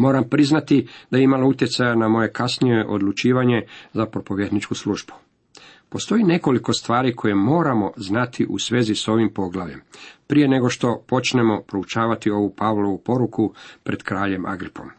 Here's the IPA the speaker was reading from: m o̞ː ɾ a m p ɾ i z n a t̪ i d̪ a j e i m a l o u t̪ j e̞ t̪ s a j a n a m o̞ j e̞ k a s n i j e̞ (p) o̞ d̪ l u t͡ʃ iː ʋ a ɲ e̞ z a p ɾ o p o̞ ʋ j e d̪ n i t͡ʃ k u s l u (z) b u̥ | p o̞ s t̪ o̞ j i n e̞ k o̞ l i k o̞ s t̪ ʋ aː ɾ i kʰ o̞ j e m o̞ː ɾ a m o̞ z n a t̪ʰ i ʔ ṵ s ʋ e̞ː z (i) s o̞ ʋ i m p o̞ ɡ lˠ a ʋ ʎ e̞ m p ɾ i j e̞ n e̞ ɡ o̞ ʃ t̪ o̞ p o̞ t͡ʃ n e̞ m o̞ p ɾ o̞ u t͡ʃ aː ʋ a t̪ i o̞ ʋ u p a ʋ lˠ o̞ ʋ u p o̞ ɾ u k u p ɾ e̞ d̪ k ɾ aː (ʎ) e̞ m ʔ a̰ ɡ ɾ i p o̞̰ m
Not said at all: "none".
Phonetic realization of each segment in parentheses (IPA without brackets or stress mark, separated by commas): ʔ, ʒ, i, ʎ